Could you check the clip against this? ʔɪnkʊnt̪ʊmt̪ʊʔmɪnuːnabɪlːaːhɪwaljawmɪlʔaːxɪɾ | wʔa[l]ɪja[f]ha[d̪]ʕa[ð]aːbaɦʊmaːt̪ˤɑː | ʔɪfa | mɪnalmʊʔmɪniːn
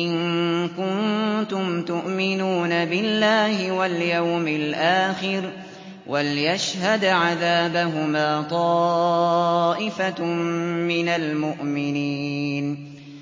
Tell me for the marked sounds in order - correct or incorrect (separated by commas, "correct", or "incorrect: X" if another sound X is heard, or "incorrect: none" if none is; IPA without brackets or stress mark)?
correct, incorrect: ʃ, correct, correct